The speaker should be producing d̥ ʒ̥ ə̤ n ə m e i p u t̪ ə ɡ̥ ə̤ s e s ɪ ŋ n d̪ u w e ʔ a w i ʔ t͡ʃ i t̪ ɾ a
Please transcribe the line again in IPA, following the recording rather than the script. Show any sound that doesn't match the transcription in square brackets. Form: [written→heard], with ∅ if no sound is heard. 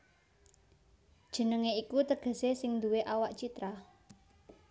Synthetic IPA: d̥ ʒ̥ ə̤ n ə [m→ŋ] e i [p→k] u t̪ ə ɡ̥ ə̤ s e s ɪ ŋ n d̪ u w e ʔ a w [i→a] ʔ t͡ʃ i t̪ ɾ a

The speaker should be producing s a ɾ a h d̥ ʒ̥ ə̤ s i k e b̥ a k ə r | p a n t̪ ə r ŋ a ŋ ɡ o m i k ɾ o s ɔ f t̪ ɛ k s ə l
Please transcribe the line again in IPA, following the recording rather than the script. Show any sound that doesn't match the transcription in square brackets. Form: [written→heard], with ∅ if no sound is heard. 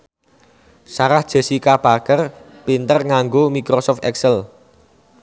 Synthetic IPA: s a ɾ a h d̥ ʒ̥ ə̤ s i k [e→a] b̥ a k ə r | p [a→i] n t̪ ə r ŋ a ŋ ɡ o m i k ɾ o s ɔ f t̪ ɛ k s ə l

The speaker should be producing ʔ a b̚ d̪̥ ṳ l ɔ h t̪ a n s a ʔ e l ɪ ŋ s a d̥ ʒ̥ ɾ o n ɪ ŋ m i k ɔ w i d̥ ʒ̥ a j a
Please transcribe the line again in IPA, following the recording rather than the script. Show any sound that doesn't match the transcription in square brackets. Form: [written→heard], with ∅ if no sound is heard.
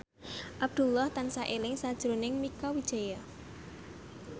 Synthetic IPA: ʔ a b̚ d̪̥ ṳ l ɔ h t̪ a n s a ʔ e l ɪ ŋ s a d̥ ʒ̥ ɾ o n ɪ ŋ m i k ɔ w i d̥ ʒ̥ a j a

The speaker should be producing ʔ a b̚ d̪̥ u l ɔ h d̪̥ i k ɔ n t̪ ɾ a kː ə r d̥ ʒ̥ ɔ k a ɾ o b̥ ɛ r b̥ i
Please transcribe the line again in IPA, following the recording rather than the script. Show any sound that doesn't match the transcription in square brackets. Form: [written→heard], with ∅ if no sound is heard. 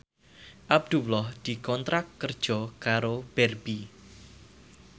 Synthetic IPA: ʔ a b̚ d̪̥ u l ɔ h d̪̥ i k ɔ n t̪ ɾ a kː ə r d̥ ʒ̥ ɔ k a ɾ o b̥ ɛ r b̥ i

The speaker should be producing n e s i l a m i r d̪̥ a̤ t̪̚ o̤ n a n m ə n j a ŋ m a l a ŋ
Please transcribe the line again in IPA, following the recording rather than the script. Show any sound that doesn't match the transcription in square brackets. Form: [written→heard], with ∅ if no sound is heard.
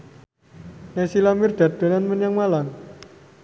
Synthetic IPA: n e s i l a m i r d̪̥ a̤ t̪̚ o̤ n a n m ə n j a ŋ m a l a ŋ

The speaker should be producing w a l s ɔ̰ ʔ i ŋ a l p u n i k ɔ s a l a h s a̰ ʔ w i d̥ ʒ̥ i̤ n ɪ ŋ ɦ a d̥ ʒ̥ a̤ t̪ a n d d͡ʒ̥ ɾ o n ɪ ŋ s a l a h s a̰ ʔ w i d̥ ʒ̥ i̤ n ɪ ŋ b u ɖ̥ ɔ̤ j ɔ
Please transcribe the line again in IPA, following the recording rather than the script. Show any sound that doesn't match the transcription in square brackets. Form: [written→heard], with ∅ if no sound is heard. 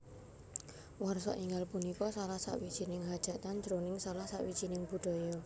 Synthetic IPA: w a [l→r] s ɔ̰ ʔ i ŋ a l p u n i k ɔ s a l a h s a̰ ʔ w i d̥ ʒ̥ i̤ n ɪ ŋ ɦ a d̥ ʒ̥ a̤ t̪ a n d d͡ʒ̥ ɾ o n ɪ ŋ s a l a h s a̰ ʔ w i d̥ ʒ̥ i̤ n ɪ ŋ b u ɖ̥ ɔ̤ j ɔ

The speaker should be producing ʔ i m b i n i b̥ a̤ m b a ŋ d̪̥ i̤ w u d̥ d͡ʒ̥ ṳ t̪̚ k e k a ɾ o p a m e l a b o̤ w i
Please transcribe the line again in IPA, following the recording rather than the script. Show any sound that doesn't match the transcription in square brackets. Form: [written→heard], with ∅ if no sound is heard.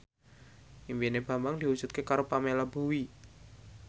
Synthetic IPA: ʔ i m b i n [i→e] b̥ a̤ m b a ŋ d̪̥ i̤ w u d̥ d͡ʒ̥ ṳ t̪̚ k e k a ɾ o p a m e l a b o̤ w i

